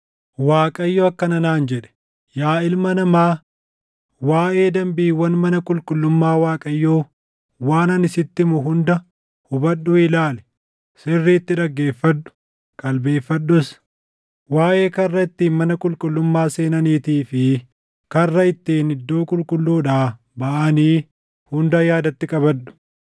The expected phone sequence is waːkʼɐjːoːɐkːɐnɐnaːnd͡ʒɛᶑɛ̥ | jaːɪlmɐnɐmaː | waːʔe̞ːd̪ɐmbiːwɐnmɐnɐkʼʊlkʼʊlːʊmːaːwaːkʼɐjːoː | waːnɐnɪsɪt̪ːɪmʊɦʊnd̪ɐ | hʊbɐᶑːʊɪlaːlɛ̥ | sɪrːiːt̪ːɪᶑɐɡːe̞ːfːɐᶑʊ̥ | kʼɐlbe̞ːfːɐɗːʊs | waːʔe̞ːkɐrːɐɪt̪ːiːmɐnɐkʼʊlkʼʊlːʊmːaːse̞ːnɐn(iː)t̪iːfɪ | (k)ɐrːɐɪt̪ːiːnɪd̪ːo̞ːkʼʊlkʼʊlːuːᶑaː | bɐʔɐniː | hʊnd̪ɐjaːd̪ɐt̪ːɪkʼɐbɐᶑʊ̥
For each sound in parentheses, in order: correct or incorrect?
correct, correct

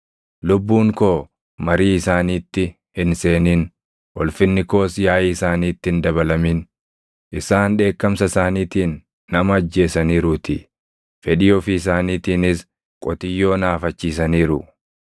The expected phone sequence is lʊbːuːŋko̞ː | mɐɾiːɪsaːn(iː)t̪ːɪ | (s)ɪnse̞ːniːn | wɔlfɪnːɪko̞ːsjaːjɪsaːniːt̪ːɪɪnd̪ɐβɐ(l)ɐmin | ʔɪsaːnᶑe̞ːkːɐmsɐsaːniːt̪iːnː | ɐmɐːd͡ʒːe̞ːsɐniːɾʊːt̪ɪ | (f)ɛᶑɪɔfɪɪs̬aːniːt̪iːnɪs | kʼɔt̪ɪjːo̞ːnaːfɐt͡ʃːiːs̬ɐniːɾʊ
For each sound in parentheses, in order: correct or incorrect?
correct, incorrect, correct, correct

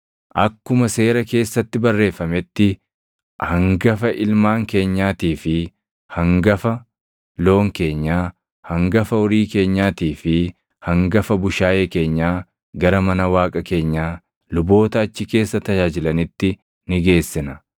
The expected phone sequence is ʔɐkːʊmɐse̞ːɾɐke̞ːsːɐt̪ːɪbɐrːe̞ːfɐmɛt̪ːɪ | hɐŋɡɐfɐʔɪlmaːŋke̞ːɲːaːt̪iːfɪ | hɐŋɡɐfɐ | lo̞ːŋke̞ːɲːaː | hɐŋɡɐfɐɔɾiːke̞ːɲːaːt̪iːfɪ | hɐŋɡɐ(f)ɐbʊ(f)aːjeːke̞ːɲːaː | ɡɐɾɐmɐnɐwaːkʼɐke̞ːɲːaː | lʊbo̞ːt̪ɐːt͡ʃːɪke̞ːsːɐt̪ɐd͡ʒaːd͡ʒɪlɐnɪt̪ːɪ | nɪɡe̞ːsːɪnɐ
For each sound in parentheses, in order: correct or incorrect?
correct, incorrect

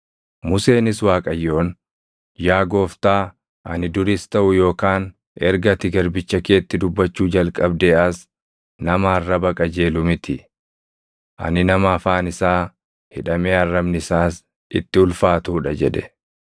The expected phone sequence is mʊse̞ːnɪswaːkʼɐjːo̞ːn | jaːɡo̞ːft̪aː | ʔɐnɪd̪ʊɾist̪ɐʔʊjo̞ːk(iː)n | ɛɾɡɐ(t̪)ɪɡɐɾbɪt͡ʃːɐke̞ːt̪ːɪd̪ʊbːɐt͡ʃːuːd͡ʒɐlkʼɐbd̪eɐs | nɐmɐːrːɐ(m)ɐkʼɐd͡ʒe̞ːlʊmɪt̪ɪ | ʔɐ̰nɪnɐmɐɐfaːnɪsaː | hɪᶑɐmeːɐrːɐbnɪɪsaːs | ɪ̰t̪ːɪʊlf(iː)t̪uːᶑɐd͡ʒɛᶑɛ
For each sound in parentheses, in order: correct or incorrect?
incorrect, correct, incorrect, incorrect

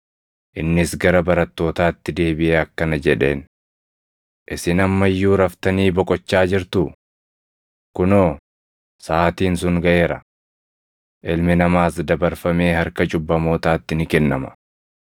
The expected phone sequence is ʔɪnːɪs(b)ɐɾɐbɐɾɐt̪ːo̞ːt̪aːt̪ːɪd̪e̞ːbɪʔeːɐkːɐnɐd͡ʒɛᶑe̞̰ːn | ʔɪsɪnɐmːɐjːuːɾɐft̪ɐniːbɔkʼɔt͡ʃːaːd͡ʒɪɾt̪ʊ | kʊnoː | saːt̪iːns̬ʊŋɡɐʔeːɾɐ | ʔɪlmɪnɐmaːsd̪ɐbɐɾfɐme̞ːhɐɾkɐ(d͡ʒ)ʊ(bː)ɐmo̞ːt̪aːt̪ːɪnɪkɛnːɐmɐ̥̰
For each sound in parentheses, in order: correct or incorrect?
incorrect, correct, correct

